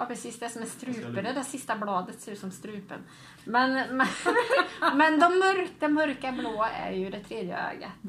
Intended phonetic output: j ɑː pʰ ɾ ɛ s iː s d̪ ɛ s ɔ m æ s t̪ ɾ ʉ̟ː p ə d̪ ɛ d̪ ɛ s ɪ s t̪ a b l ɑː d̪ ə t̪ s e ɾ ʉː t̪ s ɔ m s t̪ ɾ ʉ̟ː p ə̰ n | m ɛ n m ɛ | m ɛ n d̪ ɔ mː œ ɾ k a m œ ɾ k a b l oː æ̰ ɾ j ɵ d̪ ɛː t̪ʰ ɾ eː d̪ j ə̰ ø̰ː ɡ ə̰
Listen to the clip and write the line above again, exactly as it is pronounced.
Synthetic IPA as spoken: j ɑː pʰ ɾ ɛ s iː s d̪ ɛ s ɔ m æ s t̪ ɾ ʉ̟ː p ə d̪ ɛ d̪ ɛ s ɪ s t̪ a b l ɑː d̪ ə t̪ s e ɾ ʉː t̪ s ɔ m s t̪ ɾ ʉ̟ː p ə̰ n | m ɛ n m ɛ | m ɛ n d̪ ɔ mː œ ɾ k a m œ ɾ k a b l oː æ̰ ɾ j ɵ d̪ ɛ t̪ʰ ɾ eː d̪ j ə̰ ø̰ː ɡ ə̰